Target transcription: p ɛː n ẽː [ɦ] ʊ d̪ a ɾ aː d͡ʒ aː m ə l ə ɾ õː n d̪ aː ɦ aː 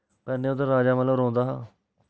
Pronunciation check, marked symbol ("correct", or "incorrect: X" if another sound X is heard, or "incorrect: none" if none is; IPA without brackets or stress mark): incorrect: none